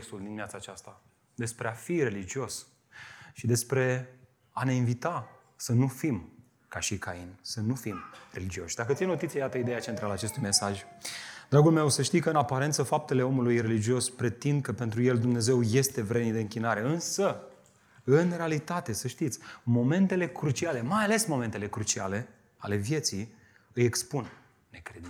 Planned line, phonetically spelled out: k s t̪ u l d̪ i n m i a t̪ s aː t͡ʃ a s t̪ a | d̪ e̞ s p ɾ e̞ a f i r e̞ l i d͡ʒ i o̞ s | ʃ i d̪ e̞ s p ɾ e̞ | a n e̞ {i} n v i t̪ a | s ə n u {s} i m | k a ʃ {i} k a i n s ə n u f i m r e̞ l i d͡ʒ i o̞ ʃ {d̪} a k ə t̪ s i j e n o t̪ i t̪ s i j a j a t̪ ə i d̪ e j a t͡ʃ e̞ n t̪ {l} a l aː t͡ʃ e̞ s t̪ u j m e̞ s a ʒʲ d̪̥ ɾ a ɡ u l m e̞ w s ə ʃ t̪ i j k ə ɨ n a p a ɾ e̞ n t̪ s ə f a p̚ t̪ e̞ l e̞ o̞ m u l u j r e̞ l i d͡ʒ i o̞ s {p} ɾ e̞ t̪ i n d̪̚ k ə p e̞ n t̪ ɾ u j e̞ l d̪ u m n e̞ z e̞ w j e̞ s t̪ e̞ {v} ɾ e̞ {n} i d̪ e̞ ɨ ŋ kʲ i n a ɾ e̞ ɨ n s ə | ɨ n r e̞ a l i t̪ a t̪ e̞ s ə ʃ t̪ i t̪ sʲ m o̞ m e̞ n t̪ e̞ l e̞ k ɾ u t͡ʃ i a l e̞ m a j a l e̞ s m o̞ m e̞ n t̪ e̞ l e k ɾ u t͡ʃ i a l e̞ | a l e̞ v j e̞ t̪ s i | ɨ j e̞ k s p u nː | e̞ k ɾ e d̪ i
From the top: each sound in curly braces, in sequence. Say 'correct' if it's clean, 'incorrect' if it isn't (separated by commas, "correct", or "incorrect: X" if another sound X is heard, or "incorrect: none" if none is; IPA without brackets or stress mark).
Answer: correct, incorrect: f, correct, correct, incorrect: ɾ, correct, correct, correct